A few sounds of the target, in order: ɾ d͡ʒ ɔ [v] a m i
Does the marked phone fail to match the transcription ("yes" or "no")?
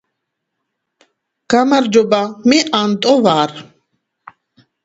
yes